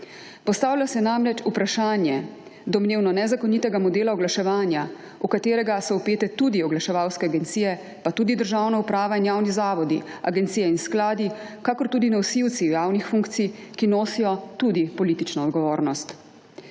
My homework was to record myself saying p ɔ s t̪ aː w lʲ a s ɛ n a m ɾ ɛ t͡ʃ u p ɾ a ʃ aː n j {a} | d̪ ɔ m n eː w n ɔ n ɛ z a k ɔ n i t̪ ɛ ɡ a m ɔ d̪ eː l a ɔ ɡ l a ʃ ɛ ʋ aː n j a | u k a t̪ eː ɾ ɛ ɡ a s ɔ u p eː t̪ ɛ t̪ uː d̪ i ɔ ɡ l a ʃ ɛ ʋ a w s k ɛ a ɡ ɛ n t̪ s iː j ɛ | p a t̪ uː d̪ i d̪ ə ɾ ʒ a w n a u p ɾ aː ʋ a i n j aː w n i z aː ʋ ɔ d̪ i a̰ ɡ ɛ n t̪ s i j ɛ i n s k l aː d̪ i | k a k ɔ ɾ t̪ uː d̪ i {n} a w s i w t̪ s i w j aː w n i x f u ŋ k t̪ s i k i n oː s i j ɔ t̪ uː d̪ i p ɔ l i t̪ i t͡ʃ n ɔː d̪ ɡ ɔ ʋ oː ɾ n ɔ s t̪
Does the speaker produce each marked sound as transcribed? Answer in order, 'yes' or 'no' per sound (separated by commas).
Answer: no, yes